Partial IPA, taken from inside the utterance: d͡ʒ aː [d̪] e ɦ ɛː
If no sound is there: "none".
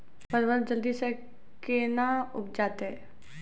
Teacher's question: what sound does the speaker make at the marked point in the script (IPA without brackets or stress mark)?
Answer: t̪